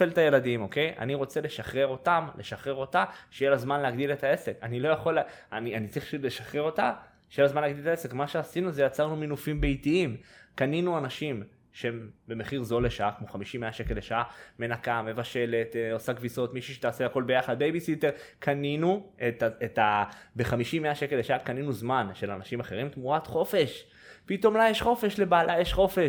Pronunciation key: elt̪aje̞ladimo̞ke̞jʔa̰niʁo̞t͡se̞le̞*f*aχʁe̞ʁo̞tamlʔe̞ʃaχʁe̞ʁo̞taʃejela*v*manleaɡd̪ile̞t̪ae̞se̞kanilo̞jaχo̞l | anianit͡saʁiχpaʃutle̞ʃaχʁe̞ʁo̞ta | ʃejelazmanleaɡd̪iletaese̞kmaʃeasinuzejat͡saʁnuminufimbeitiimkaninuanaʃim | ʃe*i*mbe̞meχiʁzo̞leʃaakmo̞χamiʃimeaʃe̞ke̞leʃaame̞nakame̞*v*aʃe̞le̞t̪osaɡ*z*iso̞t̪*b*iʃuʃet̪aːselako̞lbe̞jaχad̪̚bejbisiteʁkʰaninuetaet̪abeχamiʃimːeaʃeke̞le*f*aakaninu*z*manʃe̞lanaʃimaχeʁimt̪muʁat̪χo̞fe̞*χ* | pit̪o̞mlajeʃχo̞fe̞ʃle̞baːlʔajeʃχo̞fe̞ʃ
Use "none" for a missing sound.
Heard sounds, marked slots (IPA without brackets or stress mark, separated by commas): ʃ, z, e, v, v, m, ʃ, z, ʃ